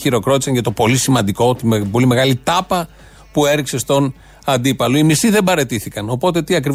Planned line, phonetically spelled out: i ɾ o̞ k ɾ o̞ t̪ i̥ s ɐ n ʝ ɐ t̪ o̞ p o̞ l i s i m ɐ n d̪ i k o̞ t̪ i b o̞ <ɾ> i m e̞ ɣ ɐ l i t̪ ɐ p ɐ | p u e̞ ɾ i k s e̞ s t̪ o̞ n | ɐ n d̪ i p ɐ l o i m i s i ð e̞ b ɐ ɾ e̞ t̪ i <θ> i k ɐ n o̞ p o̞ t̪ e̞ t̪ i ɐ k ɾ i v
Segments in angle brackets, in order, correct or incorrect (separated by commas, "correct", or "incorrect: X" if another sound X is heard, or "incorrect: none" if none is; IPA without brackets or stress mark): incorrect: l, correct